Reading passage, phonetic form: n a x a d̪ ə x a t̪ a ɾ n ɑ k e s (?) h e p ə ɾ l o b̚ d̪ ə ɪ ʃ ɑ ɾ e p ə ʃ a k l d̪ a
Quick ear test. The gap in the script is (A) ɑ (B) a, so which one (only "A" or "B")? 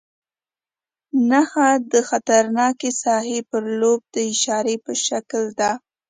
A